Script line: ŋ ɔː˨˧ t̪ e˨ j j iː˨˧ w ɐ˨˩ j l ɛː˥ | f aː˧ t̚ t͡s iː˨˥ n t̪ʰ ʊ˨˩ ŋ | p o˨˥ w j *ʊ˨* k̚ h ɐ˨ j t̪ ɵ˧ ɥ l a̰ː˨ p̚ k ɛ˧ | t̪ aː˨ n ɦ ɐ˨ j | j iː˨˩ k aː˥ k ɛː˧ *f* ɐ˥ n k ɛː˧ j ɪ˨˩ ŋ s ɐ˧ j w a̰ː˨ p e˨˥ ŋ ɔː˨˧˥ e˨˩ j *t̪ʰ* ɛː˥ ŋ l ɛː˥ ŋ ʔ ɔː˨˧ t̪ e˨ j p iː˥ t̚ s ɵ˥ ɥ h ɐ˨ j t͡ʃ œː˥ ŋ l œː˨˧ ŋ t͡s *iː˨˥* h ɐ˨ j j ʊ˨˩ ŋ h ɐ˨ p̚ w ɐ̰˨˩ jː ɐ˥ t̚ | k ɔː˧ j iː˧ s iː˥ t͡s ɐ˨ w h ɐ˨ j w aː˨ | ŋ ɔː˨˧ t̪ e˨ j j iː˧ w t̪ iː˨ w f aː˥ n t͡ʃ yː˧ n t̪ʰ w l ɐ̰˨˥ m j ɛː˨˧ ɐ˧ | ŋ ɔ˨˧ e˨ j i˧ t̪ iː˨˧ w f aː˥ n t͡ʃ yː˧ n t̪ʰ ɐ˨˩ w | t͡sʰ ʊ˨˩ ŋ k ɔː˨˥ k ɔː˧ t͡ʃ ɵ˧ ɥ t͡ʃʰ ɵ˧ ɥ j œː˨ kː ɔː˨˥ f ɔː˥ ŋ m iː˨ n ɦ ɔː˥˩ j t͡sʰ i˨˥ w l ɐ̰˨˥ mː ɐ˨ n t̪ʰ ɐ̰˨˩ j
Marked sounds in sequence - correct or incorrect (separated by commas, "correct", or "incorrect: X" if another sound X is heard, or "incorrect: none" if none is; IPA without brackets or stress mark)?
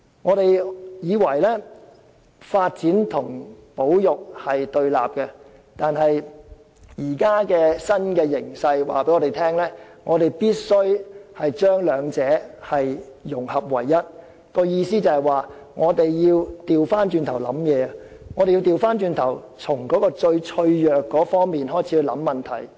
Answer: correct, incorrect: s, correct, incorrect: ɛː˨˥